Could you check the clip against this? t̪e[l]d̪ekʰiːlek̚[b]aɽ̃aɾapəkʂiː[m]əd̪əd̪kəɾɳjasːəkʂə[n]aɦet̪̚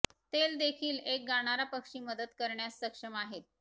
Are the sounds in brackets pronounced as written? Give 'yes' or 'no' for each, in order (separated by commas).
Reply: yes, no, yes, no